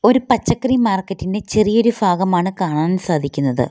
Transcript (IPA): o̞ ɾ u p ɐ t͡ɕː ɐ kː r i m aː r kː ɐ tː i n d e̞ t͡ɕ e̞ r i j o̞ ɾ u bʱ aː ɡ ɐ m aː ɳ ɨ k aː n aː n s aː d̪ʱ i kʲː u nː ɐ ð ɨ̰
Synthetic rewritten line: o̞ ɾ u p ɐ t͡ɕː ɐ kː r i m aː r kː ɐ tː i n d e̞ t͡ɕ e̞ r i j o̞ ɾ u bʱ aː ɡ ɐ m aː ɳ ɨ k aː ɳ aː n s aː d̪ʱ i kʲː u nː ɐ ð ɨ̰